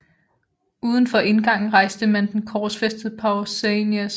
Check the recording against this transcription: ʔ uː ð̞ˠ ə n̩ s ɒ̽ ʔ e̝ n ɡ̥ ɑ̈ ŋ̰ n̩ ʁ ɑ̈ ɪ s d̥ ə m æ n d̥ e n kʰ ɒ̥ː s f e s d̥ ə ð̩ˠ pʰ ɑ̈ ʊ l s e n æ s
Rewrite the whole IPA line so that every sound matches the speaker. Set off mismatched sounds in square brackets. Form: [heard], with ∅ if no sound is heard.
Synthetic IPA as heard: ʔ uː ð̞ˠ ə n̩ [f] ɒ̽ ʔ e̝ n ɡ̥ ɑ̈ ŋ̰ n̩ ʁ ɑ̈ ɪ s d̥ ə m æ n d̥ e n kʰ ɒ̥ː s f e s d̥ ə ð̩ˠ pʰ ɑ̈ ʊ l s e n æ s